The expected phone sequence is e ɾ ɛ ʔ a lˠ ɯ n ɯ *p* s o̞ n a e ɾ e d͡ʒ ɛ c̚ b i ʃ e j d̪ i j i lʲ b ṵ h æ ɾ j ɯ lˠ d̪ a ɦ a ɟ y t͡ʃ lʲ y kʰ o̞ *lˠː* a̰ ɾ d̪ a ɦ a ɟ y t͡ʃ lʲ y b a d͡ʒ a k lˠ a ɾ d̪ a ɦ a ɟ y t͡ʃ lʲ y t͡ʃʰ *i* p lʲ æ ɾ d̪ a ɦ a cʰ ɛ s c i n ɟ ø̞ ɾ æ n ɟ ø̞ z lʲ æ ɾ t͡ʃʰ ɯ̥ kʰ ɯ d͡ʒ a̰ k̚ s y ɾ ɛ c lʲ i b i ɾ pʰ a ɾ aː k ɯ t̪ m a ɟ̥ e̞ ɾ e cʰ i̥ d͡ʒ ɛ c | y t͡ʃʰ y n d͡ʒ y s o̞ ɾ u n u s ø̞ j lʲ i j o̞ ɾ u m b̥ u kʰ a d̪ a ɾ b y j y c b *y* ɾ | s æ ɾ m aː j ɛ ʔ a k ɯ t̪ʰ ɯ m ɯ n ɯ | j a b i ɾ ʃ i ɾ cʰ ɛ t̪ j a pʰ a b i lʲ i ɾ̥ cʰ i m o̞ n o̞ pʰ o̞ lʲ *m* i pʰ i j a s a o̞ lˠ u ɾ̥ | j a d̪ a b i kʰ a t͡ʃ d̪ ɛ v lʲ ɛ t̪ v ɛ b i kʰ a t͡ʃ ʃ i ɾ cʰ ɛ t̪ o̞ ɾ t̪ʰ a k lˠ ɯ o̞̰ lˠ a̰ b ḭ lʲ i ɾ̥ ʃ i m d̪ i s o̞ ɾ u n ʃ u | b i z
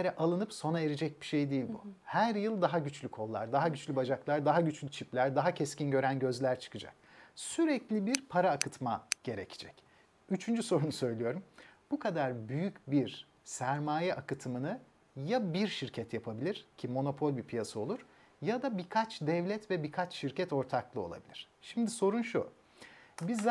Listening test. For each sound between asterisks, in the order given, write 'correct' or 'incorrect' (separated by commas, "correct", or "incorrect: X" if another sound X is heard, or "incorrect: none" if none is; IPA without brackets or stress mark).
correct, correct, correct, incorrect: i, incorrect: b